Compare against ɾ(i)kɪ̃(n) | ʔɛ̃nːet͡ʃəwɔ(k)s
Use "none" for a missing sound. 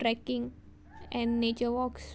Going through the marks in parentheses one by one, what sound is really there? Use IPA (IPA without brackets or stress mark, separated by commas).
ɛ, ŋ, k